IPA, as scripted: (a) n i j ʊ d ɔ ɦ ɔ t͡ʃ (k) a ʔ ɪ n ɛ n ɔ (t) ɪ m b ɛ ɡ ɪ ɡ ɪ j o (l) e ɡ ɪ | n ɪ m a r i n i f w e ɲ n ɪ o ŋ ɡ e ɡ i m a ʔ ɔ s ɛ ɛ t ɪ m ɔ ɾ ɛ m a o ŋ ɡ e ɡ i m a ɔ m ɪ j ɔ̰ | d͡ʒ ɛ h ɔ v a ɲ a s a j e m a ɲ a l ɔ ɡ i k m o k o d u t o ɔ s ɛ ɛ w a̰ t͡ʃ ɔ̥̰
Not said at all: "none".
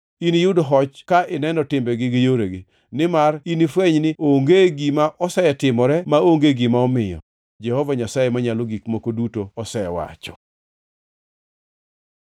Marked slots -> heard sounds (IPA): i, k, t, ɾ

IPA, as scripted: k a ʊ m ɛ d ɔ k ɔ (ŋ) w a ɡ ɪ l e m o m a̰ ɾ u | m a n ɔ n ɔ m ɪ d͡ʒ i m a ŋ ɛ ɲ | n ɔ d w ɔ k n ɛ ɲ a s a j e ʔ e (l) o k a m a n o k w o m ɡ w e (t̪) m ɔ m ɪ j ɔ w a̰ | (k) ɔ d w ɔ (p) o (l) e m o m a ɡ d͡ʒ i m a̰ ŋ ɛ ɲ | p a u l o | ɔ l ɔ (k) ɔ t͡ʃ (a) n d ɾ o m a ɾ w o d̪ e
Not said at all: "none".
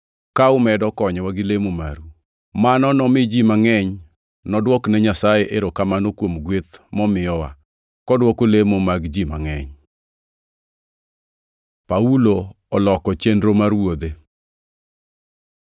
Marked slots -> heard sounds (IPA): ɲ, ɾ, t̪, k, k, l, k, e

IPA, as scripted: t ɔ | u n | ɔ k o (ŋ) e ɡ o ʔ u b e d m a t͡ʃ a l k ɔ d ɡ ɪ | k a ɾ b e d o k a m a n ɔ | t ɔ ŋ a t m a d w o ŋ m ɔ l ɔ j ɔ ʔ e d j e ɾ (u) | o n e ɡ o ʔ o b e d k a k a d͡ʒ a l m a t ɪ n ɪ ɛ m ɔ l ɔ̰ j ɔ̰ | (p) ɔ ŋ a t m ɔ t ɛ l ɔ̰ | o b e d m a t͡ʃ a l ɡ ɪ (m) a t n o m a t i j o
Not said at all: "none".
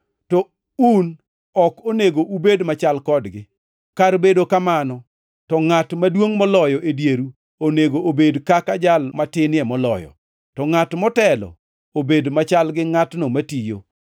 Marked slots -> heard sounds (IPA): n, u, t, ŋ

